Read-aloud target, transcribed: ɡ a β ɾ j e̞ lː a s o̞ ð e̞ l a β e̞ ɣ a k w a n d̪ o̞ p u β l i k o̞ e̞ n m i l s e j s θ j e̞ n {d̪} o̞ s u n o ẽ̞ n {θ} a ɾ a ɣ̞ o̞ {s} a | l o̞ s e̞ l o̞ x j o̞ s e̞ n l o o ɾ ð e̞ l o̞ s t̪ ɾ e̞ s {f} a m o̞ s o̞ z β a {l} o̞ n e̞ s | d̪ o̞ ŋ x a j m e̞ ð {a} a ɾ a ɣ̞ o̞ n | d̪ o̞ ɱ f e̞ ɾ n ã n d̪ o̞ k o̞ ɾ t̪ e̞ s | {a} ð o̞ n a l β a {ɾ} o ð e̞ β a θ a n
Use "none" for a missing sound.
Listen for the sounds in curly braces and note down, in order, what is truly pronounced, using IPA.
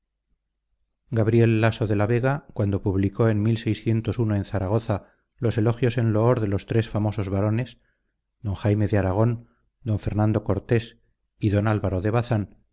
t̪, θ, θ, f, ɾ, e, i, ɾ

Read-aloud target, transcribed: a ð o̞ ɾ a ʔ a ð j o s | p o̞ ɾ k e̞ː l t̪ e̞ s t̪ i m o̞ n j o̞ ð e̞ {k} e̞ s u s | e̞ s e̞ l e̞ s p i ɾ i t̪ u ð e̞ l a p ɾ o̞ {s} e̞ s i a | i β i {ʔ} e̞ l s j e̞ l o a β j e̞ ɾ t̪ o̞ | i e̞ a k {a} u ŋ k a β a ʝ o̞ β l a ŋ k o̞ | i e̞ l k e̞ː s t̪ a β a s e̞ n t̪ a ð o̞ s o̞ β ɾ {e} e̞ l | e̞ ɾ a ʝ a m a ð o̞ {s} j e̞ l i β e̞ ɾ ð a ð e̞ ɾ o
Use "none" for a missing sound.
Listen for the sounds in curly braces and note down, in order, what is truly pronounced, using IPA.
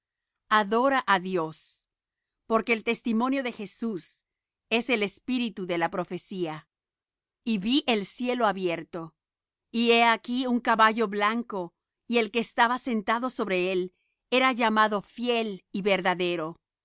x, f, ʔ, i, e, f

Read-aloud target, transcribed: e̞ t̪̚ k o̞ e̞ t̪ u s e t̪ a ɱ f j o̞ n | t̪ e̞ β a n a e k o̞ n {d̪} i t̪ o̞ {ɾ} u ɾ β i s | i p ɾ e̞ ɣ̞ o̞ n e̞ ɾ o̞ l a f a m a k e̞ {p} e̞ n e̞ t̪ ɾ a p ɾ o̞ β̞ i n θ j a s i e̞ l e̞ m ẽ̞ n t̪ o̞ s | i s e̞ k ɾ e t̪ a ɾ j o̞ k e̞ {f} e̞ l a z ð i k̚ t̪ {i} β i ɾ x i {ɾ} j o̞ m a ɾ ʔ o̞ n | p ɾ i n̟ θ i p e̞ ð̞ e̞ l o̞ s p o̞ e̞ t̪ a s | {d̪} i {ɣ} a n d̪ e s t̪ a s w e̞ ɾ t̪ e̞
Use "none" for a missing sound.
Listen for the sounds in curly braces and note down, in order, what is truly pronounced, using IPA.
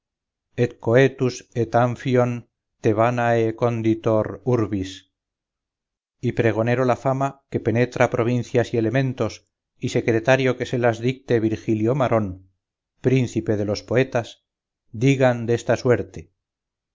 d̪, ɾ, p, s, e, l, d̪, ɣ

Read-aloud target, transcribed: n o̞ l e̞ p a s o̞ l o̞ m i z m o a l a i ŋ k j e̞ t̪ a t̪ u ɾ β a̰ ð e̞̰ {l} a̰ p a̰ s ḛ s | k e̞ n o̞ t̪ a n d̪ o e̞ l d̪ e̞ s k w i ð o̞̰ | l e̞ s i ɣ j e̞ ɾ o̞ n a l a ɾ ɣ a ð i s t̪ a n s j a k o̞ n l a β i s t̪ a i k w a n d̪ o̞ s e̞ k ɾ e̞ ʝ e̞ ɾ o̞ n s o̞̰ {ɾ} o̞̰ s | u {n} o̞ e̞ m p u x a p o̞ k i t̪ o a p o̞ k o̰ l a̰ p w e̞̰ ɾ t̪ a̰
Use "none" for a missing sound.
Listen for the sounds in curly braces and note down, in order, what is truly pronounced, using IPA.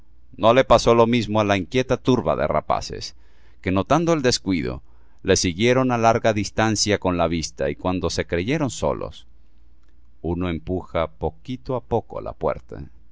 r, l, n

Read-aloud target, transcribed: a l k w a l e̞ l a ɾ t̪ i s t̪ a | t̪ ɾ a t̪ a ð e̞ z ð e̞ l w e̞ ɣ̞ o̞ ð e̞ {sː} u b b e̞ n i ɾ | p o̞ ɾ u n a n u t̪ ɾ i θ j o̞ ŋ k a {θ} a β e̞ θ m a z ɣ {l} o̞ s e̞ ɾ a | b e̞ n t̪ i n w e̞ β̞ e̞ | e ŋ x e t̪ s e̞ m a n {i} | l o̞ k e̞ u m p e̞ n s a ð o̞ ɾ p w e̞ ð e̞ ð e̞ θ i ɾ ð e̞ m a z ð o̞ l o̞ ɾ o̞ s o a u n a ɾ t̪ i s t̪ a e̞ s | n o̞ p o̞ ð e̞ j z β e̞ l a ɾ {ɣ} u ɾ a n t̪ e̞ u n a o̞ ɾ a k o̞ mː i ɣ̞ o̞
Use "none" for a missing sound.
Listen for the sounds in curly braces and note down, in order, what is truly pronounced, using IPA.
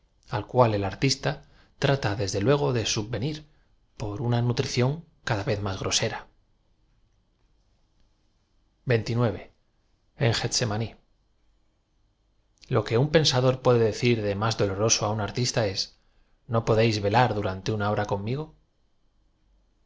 s, ð, ɾ, i, ð

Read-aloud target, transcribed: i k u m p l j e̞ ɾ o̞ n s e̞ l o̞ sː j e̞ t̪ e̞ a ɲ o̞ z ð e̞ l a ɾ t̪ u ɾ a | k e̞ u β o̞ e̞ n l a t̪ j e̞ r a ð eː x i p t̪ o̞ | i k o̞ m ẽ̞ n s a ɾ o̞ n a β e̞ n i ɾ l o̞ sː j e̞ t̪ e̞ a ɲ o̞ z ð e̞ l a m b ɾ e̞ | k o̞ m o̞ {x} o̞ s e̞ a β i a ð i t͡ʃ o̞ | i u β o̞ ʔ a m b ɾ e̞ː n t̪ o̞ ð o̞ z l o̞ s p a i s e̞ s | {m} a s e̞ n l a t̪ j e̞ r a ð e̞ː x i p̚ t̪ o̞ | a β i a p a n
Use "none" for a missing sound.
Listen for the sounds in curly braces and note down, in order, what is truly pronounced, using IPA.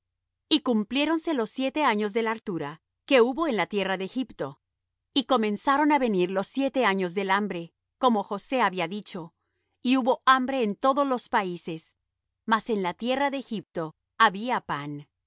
x, m

